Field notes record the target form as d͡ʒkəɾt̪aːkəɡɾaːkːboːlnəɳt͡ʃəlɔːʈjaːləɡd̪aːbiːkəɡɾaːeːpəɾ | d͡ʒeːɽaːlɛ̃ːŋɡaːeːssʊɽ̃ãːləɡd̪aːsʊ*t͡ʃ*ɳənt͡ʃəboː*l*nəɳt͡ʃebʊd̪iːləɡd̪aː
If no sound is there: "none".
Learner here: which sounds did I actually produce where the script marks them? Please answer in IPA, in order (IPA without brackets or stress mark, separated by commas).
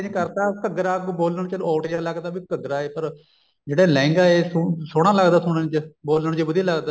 none, l